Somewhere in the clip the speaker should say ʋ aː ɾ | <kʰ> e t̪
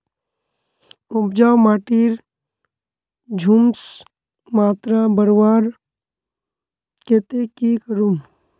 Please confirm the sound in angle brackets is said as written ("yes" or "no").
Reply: no